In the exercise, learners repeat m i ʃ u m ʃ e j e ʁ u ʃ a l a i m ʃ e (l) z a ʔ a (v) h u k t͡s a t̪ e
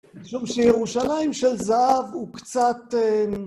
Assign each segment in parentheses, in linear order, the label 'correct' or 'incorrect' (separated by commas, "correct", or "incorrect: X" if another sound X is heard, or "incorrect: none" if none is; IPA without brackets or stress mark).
correct, correct